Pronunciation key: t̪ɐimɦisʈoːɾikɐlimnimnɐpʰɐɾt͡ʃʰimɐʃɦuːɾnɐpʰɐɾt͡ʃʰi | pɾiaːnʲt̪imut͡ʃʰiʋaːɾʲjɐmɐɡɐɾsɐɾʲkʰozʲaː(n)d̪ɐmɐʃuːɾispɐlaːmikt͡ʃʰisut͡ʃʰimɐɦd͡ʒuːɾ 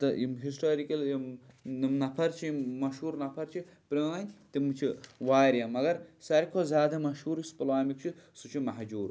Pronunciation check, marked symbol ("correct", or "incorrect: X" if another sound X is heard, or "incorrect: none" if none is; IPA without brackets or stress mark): incorrect: none